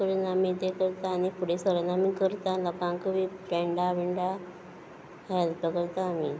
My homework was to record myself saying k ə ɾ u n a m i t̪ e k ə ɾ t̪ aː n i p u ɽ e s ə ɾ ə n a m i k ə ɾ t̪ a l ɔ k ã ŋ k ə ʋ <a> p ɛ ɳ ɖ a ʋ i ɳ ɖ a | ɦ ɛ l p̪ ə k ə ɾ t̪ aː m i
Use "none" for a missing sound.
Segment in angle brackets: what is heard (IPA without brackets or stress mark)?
i